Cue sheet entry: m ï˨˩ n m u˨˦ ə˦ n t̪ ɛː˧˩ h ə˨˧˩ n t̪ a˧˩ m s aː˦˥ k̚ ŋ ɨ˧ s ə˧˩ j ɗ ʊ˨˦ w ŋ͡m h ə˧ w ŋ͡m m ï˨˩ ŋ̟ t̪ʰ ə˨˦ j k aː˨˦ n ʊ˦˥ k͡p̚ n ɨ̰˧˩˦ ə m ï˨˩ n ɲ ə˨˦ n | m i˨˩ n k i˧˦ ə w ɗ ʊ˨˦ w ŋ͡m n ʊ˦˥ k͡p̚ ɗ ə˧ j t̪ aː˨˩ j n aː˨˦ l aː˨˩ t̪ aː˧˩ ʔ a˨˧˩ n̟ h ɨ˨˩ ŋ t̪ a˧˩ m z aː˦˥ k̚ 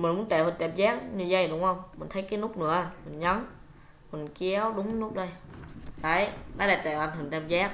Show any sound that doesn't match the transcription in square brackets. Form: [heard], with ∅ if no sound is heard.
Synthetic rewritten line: m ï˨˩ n m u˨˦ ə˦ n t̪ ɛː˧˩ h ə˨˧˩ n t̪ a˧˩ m [z] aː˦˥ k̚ [ɲ] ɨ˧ [z] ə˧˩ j ɗ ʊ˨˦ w ŋ͡m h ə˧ w ŋ͡m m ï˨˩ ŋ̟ t̪ʰ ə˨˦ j k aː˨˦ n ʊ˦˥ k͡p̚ n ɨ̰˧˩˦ ə m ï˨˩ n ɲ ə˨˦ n | m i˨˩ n k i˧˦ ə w ɗ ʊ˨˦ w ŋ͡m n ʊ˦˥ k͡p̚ ɗ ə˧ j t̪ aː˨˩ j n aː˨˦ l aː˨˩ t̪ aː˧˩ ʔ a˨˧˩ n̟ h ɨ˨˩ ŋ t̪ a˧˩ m z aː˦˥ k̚